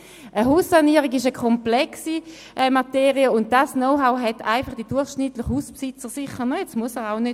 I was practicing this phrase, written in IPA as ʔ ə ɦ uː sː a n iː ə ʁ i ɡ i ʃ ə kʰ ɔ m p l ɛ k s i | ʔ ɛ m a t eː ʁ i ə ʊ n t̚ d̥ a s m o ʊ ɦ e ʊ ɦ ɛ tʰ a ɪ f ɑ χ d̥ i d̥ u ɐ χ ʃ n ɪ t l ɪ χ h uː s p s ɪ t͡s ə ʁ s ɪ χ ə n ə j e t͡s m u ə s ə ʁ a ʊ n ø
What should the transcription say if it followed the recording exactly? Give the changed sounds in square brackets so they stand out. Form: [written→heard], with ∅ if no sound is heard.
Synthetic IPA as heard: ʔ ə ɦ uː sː a n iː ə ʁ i ɡ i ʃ ə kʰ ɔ m p l ɛ k s i | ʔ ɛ m a t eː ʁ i ə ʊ n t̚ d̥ a s [m→n] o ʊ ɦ [e→a] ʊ ɦ ɛ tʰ a ɪ f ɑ χ d̥ i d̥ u ɐ χ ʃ n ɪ t l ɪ χ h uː s p s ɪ t͡s ə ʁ s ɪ χ ə n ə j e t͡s m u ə s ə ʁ a ʊ n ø